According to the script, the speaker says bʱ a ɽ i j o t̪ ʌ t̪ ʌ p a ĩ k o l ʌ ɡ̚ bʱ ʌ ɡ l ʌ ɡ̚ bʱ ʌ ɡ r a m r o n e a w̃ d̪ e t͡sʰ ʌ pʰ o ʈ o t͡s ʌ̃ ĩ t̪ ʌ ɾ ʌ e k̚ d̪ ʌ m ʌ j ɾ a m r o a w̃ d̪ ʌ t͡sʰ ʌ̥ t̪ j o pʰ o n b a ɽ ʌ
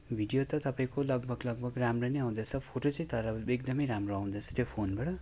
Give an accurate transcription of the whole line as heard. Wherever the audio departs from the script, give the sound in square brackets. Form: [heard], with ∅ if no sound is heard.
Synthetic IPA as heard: bʱ [i] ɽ i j o t̪ ʌ t̪ ʌ p a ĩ k o l ʌ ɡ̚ bʱ ʌ ɡ l ʌ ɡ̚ bʱ ʌ ɡ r a m r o n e a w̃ d̪ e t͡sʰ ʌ pʰ o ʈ o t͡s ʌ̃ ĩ t̪ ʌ ɾ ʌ e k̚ d̪ ʌ m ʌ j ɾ a m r o a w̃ d̪ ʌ t͡sʰ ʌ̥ t̪ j o pʰ o n b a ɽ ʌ